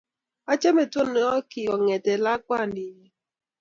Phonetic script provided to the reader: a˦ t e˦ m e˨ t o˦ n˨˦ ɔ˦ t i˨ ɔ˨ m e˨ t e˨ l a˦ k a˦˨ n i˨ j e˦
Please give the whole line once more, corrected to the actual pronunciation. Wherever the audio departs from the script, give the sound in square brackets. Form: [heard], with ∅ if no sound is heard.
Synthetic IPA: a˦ [t͡ʃ] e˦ m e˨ t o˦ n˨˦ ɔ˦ [k] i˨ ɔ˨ [ŋ] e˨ t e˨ l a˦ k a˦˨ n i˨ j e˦